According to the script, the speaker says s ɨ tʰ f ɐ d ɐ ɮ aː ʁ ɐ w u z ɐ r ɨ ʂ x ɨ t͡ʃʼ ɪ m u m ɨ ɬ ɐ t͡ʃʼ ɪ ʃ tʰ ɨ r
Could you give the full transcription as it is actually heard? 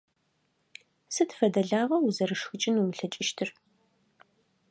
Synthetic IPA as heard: s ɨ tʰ f ɐ d ɐ ɮ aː ʁ ɐ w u z ɐ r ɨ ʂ x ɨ t͡ʃʼ ɪ n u m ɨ ɬ ɐ t͡ʃʼ ɪ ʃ tʰ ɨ r